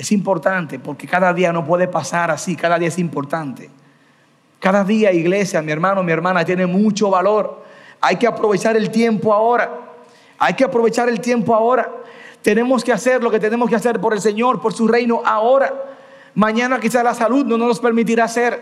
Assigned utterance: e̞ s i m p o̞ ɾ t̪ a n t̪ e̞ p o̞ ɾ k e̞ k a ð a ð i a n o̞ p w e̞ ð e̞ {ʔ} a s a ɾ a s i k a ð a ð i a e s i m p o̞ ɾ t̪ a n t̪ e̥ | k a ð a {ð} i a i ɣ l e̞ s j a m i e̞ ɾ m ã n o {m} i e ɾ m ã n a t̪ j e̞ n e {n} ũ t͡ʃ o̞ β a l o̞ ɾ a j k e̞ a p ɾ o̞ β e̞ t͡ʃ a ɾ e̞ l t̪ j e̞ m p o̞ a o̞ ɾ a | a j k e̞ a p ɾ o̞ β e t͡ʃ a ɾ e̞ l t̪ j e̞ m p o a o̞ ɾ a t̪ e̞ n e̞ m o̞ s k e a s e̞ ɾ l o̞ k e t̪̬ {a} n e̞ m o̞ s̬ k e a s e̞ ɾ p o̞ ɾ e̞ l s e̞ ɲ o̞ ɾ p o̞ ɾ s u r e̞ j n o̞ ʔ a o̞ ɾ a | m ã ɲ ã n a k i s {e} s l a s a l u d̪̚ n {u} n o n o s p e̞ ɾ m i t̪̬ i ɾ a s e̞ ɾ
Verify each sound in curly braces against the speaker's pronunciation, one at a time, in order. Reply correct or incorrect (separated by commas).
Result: incorrect, correct, correct, incorrect, incorrect, incorrect, incorrect